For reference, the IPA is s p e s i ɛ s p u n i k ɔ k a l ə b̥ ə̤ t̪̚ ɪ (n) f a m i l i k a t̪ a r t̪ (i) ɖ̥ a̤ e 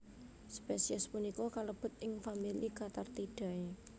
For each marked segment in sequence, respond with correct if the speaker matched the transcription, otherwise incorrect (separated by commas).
incorrect, correct